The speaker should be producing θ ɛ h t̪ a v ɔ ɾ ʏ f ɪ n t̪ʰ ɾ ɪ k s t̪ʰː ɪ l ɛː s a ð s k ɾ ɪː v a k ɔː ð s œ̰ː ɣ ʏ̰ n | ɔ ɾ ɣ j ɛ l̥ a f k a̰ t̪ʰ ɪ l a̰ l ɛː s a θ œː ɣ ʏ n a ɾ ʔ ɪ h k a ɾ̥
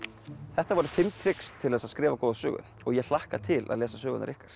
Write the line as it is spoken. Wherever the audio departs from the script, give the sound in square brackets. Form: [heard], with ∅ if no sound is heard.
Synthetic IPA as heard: θ ɛ h t̪ a v ɔ ɾ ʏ f ɪ [m] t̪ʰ ɾ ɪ k s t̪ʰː ɪ l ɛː s a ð s k ɾ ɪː v a k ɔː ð s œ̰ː ɣ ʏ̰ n | ɔ [∅] ɣ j ɛ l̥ a [h] k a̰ t̪ʰ ɪ l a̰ l ɛː s a [s] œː ɣ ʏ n a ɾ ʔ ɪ h k a ɾ̥